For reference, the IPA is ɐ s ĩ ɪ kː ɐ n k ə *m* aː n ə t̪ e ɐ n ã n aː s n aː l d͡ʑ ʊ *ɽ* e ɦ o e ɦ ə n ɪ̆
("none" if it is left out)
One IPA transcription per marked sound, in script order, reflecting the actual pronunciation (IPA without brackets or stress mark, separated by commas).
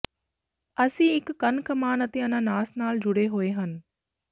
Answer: m, ɽ